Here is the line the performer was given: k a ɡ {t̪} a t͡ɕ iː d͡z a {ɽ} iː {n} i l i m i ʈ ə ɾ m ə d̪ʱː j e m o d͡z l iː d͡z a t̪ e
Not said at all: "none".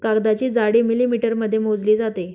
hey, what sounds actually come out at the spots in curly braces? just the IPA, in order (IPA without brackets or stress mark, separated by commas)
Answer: d̪, ɽ, m